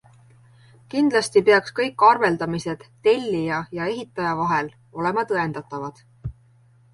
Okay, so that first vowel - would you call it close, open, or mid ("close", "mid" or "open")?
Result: close